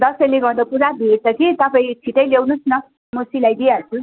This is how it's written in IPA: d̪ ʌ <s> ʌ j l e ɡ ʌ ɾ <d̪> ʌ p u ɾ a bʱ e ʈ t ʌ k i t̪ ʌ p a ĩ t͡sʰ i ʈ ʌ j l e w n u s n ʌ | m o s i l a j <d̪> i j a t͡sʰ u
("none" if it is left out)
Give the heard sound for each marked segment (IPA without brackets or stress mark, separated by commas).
s, d̪, d̪